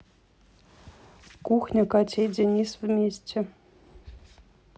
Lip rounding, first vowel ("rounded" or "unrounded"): rounded